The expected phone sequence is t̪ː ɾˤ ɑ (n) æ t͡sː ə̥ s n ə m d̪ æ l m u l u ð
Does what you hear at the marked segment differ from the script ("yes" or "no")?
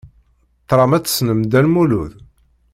yes